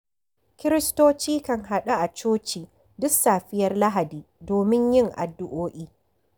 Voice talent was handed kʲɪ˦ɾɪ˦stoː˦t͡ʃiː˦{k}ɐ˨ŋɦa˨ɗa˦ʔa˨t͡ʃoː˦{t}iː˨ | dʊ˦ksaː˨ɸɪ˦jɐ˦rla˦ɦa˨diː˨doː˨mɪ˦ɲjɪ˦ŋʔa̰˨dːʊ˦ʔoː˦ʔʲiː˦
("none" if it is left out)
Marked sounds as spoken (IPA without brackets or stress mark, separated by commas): k, t͡ʃ